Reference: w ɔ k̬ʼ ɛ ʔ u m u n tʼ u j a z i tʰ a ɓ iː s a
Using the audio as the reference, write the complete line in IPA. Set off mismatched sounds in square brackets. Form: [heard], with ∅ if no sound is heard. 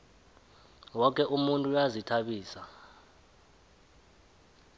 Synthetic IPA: w ɔ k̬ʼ ɛ ʔ u m u n tʼ u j a z i tʰ a ɓ iː s a